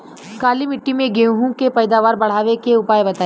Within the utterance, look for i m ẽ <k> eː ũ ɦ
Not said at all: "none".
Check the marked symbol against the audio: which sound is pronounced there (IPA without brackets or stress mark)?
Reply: ɡ